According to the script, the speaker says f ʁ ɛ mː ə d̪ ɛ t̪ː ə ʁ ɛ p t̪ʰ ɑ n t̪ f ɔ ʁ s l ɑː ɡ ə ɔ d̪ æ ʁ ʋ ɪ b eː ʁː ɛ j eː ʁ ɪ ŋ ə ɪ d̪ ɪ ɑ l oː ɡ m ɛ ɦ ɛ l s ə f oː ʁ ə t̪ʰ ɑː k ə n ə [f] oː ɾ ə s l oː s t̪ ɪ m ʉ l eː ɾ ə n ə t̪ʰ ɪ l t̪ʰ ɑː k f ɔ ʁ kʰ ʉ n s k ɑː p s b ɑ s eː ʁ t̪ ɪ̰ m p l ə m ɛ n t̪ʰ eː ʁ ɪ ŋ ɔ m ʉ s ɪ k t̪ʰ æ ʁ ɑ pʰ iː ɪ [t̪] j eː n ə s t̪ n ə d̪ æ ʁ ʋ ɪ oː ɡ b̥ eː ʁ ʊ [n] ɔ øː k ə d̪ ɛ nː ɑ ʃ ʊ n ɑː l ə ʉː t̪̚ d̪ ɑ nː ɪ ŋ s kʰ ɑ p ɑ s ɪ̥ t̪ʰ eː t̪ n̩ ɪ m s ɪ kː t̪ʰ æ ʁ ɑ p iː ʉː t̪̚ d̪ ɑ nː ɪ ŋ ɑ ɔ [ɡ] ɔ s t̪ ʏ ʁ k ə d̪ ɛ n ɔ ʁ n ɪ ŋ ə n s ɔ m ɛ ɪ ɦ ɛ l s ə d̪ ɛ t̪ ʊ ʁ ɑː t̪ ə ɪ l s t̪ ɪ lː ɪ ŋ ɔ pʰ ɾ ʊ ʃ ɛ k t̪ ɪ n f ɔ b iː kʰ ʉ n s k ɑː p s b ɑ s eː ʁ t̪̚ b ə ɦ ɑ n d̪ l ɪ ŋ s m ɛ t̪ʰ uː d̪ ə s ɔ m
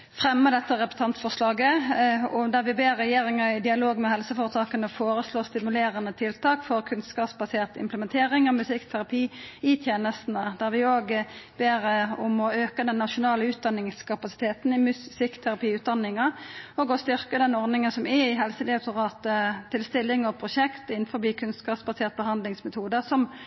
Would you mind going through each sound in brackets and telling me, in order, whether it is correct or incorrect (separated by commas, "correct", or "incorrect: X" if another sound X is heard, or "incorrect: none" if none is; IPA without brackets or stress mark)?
correct, incorrect: t̪ʰ, incorrect: m, correct